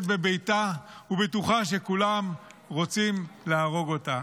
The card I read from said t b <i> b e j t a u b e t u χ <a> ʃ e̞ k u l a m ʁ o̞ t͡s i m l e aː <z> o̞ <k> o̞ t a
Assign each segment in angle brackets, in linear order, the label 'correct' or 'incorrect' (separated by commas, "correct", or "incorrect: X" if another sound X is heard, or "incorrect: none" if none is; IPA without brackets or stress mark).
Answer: incorrect: e, correct, incorrect: ʁ, incorrect: ɡ